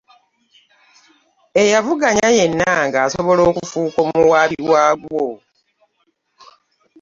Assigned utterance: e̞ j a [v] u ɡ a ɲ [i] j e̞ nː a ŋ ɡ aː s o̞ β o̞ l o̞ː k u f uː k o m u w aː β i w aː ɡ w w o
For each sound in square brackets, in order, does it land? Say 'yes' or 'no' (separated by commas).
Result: yes, no